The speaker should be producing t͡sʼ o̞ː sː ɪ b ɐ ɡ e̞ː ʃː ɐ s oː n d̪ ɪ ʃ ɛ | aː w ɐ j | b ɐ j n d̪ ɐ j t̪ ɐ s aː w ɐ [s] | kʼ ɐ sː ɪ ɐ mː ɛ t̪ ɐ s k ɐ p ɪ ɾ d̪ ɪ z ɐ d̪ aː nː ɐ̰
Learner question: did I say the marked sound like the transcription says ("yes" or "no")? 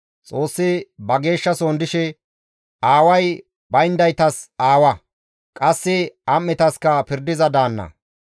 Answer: no